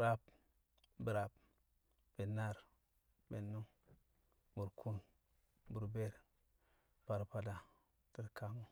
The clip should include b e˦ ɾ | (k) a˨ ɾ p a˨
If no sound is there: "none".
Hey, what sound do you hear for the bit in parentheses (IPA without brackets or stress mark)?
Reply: p